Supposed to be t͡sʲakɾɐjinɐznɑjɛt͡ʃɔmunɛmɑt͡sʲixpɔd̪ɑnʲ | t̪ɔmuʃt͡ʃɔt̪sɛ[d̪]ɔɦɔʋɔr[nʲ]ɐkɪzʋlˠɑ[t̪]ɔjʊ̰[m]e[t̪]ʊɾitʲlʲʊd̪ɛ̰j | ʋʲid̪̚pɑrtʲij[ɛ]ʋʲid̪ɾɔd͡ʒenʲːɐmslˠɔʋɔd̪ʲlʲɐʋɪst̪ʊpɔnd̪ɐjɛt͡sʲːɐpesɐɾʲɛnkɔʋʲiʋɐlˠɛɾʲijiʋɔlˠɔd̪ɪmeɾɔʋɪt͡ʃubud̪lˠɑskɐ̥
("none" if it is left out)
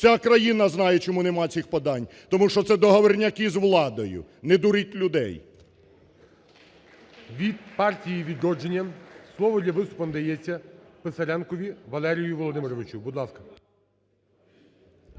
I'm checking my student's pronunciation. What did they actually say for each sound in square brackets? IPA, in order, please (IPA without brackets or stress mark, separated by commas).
d̪, nʲ, d̪, n, d̪, i